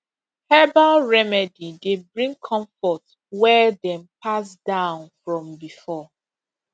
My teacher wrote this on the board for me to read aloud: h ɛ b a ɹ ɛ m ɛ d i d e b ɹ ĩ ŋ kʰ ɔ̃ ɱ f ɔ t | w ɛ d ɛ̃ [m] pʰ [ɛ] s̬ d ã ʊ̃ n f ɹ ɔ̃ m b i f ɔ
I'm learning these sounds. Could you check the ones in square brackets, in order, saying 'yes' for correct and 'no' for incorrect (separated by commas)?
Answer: yes, no